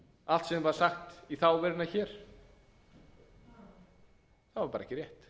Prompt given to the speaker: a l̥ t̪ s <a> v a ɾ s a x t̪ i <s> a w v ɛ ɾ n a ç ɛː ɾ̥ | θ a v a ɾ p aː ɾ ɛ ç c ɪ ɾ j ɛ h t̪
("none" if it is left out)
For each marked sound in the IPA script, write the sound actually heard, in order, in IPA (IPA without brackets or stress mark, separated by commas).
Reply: ɛ, θ